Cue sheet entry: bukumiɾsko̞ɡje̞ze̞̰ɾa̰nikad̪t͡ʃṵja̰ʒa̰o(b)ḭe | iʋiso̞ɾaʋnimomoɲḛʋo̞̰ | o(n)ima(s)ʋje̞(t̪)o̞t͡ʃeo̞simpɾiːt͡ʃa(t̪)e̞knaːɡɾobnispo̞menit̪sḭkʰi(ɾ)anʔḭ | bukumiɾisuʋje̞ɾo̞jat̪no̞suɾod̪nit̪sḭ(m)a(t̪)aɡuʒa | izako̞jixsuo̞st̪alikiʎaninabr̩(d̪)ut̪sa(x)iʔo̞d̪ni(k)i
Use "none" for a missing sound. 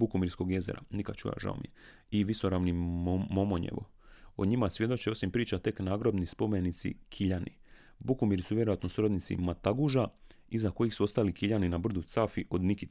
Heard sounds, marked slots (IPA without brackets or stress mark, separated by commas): m, ɲ, s, d̪, t̪, ʎ, m, t̪, d̪, f, k